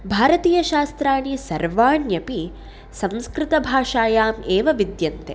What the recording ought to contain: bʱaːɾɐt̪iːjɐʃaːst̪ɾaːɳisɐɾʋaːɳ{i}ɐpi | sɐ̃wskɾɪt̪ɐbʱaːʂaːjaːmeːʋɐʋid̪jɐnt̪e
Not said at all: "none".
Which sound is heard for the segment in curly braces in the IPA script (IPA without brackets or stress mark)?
j